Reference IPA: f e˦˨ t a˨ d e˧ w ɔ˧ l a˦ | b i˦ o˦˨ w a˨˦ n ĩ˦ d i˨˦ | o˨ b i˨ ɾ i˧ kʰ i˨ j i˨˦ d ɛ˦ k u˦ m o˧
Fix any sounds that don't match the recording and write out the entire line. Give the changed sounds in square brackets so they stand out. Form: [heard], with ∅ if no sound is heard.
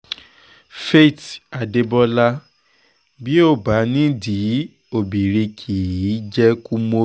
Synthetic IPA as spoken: f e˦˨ t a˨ d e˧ [b] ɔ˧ l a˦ | b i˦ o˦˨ [b] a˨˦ n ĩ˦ d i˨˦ | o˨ b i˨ ɾ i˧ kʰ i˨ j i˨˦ [d͡ʒ] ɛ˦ k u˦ m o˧